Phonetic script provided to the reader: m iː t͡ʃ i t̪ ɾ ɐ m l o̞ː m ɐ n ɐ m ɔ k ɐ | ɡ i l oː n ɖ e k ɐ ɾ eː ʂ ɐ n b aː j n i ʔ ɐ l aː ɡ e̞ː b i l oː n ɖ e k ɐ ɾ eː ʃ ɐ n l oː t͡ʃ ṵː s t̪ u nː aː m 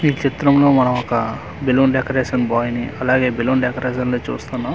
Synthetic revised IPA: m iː t͡ʃ i t̪ ɾ ɐ m l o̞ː m ɐ n ɐ m ɔ k ɐ | b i l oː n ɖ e k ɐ ɾ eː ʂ ɐ n b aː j n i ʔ ɐ l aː ɡ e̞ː b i l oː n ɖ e k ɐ ɾ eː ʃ ɐ n l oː t͡ʃ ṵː s t̪ u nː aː m